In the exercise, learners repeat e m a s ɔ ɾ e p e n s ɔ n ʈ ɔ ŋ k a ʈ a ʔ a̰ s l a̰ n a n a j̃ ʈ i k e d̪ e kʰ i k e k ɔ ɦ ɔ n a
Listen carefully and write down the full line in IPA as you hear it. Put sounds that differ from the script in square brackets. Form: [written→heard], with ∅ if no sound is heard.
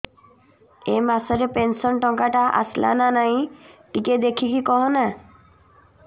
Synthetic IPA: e m a s ɔ ɾ e p e n s ɔ n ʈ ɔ ŋ k a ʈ a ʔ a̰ s l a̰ n a n a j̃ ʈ i k e d̪ e kʰ i k [e→i] k ɔ ɦ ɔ n a